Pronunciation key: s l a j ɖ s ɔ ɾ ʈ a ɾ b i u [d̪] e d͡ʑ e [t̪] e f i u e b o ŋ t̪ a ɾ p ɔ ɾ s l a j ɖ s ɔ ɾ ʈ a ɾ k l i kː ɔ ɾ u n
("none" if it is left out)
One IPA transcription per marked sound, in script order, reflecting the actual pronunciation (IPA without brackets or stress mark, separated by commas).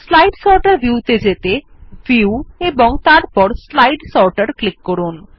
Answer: t̪, t̪